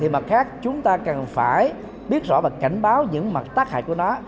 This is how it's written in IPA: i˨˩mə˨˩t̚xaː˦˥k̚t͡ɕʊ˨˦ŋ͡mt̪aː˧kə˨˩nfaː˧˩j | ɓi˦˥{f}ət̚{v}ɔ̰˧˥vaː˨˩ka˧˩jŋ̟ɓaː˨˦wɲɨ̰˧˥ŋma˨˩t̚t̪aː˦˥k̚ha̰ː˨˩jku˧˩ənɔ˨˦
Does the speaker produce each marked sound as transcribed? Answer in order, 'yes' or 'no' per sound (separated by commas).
no, no